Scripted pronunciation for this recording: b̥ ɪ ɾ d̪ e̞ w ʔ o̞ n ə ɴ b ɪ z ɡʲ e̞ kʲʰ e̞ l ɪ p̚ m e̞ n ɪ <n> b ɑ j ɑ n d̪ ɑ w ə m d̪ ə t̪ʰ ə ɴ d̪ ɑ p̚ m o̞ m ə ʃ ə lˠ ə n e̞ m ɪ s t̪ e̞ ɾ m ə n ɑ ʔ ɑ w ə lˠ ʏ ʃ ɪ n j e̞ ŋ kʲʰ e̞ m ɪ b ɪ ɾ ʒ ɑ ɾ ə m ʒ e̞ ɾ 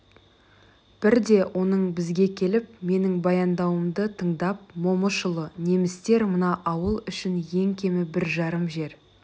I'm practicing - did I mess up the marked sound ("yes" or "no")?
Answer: yes